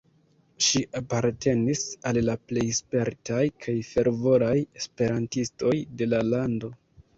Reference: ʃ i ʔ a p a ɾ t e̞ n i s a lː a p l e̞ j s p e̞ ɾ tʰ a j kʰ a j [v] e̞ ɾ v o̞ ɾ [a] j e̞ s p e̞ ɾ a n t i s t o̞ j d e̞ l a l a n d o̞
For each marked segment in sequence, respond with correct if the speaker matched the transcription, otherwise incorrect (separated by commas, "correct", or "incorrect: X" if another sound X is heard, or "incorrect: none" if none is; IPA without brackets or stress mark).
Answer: incorrect: f, correct